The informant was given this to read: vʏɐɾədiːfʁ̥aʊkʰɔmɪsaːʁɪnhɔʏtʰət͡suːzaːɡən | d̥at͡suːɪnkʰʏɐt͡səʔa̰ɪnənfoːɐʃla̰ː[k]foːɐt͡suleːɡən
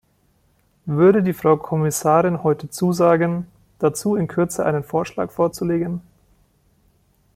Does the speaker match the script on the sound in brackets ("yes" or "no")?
yes